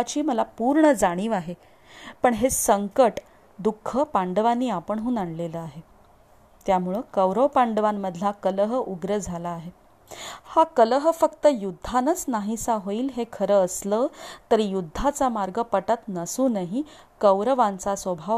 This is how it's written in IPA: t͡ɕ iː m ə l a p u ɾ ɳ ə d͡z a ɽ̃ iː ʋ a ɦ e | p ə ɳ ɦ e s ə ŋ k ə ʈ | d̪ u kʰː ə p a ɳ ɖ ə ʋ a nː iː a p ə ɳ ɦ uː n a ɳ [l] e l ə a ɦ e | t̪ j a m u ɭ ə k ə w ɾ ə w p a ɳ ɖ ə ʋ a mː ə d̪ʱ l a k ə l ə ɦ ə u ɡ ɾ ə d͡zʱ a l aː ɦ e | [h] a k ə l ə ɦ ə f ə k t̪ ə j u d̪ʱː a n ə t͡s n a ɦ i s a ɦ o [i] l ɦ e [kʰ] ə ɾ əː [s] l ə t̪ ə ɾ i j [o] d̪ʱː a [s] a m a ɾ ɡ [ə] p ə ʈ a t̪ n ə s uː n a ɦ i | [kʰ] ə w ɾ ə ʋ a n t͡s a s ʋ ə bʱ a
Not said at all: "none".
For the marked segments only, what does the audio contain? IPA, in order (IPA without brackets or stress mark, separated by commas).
l, h, iː, kʰ, s, u, t͡s, ə, k